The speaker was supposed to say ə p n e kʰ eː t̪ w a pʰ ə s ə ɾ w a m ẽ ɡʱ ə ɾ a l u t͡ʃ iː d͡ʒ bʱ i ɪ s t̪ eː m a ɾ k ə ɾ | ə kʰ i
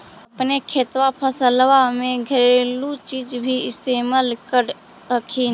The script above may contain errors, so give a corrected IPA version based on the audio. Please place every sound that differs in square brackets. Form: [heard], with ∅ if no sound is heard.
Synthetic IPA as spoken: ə p n e kʰ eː t̪ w a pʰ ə s ə [l] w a m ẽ ɡʱ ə ɾ [e] l u t͡ʃ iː d͡ʒ bʱ i ɪ s t̪ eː m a [l] k ə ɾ | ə kʰ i